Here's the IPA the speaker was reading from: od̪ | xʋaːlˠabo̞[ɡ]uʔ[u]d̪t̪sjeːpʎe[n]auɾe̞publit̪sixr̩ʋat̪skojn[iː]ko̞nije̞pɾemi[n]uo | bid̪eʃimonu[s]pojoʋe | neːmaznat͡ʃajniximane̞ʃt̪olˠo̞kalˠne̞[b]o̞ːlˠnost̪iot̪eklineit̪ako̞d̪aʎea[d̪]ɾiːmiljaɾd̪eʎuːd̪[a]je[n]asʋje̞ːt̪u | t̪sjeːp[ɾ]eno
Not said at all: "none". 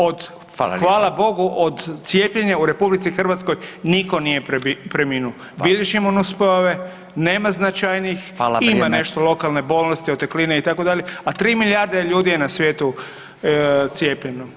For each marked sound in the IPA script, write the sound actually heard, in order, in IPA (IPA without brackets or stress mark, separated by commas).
ɡ, o, ɲ, i, n, s, b, t̪, i, n, ʎ